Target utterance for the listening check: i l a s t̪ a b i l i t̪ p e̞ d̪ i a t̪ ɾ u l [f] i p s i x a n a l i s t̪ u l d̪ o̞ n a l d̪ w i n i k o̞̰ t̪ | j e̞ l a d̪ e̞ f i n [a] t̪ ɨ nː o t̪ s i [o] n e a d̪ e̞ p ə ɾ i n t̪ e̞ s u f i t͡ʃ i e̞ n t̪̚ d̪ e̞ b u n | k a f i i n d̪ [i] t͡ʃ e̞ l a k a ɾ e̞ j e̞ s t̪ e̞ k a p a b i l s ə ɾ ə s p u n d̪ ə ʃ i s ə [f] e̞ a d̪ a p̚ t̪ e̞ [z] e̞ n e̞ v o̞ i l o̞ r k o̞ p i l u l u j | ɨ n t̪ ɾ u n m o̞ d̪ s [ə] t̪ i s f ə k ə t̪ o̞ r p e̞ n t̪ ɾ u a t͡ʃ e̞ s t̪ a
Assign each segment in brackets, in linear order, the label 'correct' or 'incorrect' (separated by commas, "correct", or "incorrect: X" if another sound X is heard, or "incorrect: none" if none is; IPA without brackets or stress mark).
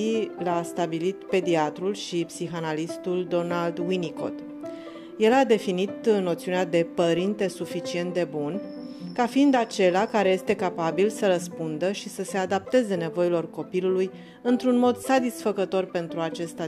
incorrect: ʃ, incorrect: i, incorrect: u, incorrect: a, incorrect: s, correct, incorrect: a